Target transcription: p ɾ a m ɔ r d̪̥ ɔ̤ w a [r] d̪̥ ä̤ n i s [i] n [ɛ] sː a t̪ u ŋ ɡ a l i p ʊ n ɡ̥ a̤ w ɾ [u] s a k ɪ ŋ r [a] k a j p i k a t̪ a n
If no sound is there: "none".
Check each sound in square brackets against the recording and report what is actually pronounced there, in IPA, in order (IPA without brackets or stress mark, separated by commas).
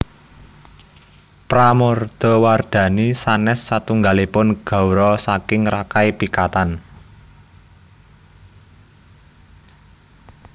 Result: r, a, ɛ, ɔ, a